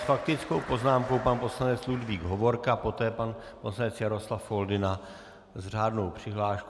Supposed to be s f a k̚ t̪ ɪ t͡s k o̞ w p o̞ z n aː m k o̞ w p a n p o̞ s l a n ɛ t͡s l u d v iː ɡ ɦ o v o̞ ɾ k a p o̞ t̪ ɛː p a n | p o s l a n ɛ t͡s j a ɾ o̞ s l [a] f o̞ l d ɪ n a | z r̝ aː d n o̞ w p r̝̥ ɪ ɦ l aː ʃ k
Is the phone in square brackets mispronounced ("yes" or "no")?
no